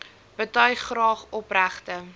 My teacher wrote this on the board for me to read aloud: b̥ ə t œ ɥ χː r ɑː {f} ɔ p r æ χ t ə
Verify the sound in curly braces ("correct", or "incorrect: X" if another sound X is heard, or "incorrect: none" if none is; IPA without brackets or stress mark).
incorrect: χ